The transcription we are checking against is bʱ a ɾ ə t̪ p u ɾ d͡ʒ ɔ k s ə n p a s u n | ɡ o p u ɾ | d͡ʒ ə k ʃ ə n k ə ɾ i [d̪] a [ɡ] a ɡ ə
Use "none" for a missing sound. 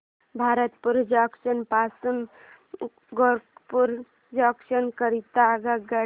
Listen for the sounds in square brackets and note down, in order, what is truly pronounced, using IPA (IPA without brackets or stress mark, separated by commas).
t̪, ɡ